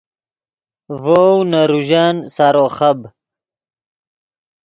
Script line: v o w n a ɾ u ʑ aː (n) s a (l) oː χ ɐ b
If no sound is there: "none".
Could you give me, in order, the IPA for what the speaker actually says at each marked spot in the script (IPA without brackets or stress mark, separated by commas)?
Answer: n, ɾ